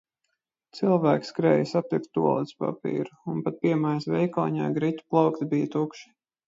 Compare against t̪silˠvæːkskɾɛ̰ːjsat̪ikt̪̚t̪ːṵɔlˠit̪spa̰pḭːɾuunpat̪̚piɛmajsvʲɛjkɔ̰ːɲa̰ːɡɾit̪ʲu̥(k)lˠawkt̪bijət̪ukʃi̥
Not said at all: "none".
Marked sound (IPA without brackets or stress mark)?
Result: p